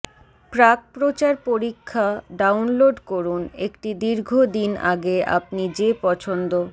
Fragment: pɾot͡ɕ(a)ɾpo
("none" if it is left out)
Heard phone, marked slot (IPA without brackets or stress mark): a